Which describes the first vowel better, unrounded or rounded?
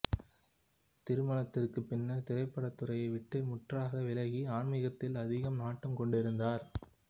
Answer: unrounded